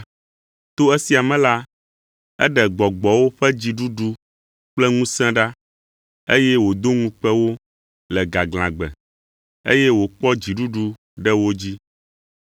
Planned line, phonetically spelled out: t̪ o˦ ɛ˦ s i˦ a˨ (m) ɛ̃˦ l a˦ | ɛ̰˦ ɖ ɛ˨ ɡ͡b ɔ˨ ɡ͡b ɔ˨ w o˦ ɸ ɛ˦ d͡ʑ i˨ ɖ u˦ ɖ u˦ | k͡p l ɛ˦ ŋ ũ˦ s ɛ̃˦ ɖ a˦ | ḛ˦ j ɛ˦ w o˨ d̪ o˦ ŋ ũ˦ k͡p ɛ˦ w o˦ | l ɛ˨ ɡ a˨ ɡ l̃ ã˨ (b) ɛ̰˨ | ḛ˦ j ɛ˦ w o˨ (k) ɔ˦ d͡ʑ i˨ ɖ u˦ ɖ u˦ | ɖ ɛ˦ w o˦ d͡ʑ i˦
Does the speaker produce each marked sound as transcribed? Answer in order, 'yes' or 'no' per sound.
yes, no, no

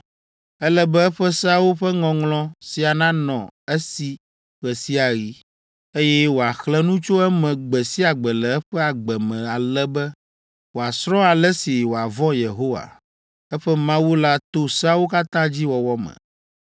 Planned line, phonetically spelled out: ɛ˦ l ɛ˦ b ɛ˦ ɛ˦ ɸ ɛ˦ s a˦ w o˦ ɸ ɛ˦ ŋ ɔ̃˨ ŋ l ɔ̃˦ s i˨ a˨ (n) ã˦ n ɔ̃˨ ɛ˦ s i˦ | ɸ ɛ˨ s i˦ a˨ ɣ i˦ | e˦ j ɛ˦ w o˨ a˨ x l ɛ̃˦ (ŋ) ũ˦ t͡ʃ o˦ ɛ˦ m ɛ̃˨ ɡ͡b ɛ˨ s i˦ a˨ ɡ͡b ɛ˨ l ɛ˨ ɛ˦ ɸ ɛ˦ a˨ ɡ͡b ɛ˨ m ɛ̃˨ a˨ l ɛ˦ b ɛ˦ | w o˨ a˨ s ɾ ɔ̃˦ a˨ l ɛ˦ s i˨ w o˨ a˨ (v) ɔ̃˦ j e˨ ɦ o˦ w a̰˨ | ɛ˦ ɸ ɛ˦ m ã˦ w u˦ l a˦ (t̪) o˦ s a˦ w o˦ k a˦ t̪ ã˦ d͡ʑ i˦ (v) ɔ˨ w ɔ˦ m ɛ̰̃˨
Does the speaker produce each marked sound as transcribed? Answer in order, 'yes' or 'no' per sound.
yes, no, yes, yes, no

